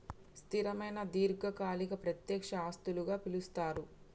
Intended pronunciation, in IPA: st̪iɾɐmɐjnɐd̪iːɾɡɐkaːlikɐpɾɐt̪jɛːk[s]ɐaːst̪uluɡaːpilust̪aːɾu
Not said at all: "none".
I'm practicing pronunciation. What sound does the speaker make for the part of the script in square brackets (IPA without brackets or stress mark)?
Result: ʂ